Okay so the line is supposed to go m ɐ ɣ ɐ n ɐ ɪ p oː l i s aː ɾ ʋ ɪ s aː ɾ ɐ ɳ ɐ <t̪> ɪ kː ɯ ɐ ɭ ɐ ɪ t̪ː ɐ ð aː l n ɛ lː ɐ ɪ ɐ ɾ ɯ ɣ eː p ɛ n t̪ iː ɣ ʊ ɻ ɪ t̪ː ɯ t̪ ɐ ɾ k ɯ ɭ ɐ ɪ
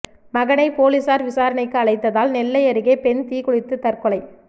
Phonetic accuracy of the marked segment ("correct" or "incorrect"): incorrect